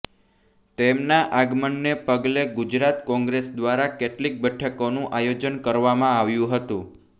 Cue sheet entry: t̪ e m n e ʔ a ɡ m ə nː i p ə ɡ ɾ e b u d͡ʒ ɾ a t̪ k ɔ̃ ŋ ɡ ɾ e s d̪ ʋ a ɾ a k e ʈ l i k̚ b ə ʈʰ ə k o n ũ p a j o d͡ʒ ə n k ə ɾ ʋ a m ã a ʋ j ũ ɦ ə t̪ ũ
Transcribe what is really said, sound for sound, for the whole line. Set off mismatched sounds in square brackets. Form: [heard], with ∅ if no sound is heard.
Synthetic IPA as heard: t̪ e m n [a] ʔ a ɡ m ə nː [e] p ə ɡ [l] e [ɡ] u d͡ʒ ɾ a t̪ k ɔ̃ ŋ ɡ ɾ e s d̪ ʋ a ɾ a k e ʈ l i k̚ b ə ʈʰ ə k o n ũ [ʔ] a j o d͡ʒ ə n k ə ɾ ʋ a m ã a ʋ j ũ ɦ ə t̪ ũ